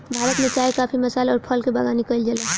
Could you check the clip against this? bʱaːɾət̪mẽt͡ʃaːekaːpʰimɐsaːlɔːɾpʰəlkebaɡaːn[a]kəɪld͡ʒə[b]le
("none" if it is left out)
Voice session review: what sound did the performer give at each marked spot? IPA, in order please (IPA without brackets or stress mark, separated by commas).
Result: i, none